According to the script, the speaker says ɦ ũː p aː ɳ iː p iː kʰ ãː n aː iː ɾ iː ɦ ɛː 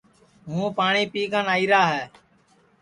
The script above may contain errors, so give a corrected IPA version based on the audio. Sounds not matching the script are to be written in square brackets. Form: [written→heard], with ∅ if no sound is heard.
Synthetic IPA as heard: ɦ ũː p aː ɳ iː p iː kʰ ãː n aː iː ɾ [iː→aː] ɦ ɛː